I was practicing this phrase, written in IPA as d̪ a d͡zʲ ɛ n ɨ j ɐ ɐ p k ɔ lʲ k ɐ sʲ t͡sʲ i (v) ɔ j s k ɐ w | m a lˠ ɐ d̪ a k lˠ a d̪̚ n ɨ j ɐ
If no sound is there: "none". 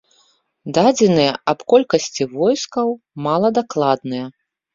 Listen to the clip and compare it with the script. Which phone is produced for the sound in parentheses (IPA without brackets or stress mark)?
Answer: v